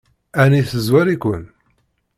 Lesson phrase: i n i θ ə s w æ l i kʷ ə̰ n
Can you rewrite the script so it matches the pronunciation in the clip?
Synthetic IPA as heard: æ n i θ ə z w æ ɾ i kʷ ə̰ n